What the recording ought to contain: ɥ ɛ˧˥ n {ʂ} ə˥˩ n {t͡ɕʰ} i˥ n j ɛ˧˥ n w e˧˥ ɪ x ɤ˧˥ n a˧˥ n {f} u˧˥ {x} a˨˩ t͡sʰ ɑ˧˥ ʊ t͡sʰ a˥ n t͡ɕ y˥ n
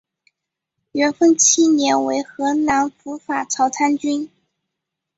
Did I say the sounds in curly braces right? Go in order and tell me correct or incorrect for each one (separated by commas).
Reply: incorrect, correct, correct, incorrect